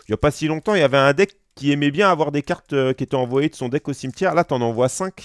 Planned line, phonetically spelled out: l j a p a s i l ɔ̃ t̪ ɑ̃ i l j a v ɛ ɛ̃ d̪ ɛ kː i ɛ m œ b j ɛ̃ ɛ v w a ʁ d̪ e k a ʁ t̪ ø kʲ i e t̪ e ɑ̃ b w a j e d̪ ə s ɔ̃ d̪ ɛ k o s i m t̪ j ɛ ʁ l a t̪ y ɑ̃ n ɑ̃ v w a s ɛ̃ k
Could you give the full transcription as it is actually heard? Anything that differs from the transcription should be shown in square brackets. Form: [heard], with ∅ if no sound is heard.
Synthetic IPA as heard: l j a p a s i l ɔ̃ t̪ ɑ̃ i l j a v ɛ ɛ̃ d̪ ɛ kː i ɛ m [ɛ] b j ɛ̃ [a] v w a ʁ d̪ e k a ʁ t̪ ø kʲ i e t̪ [ɛ] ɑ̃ [v] w a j e d̪ ə s ɔ̃ d̪ ɛ k o s i m t̪ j ɛ ʁ l a t̪ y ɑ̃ n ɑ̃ v w a s ɛ̃ k